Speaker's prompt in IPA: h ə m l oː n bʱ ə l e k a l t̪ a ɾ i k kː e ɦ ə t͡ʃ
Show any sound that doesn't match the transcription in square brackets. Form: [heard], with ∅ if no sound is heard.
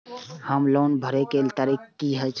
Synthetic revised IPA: h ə m l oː n bʱ ə [ɾ] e k [e] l t̪ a ɾ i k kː [i] ɦ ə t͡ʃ